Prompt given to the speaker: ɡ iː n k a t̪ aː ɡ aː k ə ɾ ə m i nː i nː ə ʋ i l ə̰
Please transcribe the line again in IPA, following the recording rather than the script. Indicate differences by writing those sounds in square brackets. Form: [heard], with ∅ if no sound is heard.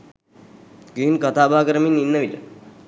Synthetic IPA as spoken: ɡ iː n k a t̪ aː [b] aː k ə ɾ ə m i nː i nː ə ʋ i l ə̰